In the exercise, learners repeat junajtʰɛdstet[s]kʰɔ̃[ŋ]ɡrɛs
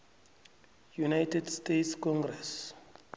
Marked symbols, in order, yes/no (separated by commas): yes, yes